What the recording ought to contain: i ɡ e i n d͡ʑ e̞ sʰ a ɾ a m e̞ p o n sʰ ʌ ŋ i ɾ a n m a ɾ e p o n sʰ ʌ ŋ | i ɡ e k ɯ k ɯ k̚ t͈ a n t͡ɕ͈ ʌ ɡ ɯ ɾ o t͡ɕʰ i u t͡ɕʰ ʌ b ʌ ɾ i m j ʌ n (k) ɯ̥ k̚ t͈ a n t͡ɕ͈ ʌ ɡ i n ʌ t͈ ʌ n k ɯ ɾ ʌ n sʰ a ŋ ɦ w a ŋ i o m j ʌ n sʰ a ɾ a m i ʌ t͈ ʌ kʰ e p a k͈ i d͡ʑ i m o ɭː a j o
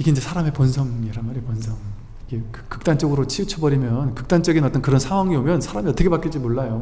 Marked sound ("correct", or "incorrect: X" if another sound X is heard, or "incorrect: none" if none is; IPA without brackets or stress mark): correct